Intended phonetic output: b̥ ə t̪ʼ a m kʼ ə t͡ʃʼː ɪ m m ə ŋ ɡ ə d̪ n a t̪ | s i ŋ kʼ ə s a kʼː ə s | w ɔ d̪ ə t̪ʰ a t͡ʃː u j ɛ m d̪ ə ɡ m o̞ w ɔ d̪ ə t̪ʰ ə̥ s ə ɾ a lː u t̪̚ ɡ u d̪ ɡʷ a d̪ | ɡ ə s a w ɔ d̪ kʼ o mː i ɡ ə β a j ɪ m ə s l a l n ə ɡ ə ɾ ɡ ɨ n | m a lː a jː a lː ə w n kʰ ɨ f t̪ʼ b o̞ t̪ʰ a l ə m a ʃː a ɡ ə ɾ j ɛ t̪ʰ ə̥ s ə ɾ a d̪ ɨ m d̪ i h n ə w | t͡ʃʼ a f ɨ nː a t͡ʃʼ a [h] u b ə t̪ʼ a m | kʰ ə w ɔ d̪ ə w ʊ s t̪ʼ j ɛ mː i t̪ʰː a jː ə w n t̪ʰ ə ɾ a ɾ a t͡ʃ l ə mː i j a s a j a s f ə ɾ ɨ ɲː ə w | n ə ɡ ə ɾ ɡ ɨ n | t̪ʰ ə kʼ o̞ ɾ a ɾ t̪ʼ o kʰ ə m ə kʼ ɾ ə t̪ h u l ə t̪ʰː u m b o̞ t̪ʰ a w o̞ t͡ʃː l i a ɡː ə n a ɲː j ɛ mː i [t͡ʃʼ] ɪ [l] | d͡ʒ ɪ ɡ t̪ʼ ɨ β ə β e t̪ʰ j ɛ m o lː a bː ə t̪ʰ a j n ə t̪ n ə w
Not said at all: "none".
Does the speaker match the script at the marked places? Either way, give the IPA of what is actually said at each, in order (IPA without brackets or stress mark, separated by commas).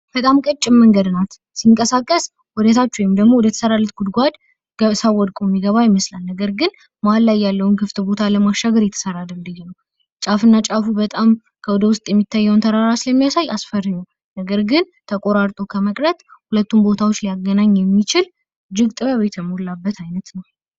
f, t͡ʃ, l